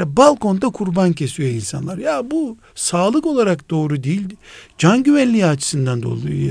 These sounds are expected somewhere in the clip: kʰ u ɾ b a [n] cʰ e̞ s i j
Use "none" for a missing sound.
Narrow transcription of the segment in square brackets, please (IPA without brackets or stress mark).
n